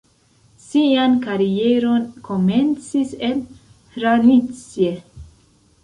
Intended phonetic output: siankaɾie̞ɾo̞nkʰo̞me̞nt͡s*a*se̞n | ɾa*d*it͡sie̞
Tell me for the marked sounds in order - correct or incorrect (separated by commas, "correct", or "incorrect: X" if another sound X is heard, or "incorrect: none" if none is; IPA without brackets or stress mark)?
incorrect: i, incorrect: n